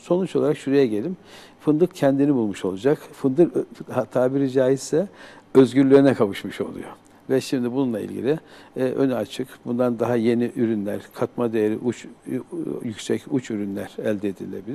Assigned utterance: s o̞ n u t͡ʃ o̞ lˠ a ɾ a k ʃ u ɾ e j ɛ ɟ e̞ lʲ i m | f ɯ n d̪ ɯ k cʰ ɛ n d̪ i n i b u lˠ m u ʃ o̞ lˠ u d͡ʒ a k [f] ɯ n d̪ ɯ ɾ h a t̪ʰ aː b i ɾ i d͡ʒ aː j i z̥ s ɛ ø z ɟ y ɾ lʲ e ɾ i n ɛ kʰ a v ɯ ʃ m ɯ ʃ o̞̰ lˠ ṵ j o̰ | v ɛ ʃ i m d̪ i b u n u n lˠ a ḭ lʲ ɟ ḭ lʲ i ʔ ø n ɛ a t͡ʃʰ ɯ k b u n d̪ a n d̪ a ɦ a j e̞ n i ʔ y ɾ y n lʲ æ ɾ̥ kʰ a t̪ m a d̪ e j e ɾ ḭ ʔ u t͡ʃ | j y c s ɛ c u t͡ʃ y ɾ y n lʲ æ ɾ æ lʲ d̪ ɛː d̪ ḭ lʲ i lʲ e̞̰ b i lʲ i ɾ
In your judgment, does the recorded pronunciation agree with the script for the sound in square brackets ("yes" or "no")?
yes